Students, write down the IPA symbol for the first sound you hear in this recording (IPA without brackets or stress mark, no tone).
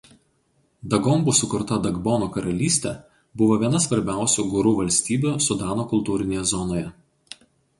d̪